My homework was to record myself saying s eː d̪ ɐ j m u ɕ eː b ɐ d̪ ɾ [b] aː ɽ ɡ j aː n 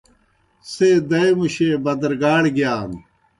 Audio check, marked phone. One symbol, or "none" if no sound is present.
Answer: ɡ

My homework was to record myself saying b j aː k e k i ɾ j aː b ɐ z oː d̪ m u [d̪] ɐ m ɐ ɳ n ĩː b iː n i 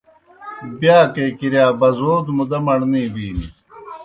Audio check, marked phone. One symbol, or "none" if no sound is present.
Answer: d̪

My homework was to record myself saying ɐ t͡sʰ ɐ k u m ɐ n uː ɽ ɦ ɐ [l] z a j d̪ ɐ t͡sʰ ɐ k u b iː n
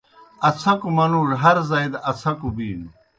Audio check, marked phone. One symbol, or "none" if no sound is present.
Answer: ɾ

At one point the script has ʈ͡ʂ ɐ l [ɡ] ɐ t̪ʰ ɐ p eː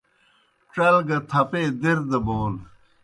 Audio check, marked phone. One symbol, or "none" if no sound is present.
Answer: ɡ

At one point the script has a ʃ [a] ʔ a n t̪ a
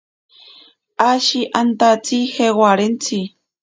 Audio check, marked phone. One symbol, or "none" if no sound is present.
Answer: i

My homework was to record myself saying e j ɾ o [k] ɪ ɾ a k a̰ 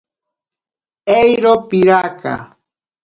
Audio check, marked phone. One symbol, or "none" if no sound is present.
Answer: p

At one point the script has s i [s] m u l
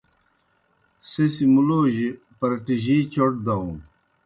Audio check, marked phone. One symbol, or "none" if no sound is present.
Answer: none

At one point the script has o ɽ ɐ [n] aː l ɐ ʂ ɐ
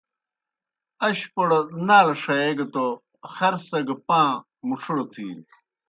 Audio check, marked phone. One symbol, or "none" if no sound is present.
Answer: n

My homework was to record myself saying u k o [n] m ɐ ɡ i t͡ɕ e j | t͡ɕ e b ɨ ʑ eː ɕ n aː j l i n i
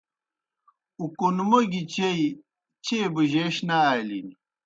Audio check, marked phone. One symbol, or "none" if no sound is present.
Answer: n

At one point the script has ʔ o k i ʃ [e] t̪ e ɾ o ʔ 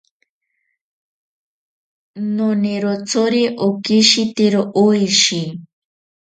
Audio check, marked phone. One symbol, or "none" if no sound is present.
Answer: i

